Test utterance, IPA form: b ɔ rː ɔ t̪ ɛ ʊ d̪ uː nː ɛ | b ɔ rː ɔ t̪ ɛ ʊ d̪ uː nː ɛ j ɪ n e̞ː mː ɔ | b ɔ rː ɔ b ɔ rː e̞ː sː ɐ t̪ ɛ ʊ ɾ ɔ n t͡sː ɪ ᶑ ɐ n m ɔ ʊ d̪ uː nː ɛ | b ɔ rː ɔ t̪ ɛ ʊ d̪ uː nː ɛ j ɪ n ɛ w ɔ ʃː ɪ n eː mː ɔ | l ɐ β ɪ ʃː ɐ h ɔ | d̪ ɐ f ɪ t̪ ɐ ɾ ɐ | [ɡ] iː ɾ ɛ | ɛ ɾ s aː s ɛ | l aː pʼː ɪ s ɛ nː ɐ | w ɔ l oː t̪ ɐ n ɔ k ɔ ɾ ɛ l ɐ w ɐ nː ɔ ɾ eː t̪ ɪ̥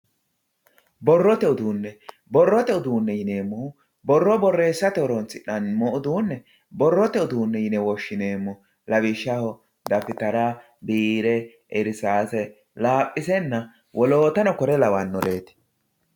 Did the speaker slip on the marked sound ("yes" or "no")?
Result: yes